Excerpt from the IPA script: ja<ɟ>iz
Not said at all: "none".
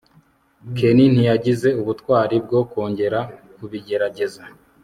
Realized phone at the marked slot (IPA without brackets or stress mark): ɟ